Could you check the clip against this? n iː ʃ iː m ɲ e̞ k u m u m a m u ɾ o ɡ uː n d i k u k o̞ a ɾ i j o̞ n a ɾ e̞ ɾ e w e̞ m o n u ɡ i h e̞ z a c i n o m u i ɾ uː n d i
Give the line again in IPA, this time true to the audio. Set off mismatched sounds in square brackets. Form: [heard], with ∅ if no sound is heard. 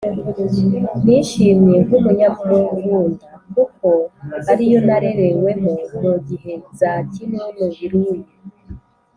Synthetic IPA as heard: n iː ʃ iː m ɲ e̞ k u m u [ɲ] a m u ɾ o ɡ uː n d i k u k o̞ a ɾ i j o̞ n a ɾ e̞ ɾ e w e̞ m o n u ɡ i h e̞ z a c i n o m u i ɾ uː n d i